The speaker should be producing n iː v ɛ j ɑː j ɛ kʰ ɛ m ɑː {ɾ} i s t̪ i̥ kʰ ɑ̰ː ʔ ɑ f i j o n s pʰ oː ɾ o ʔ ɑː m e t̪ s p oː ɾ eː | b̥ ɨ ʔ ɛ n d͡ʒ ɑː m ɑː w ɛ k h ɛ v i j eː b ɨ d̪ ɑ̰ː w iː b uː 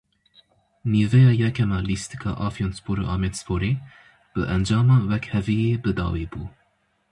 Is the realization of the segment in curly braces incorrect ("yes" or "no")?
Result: yes